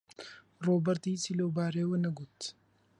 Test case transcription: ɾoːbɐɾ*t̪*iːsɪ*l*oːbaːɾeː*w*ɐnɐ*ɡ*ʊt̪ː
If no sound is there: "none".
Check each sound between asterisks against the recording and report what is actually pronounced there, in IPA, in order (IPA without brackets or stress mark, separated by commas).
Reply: t̪, l, w, ɡ